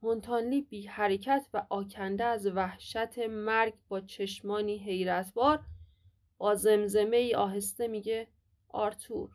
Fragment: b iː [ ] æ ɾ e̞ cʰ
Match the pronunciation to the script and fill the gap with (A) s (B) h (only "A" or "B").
B